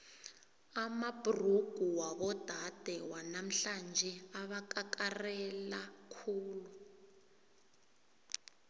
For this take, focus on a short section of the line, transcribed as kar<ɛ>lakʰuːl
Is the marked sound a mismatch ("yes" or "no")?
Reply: no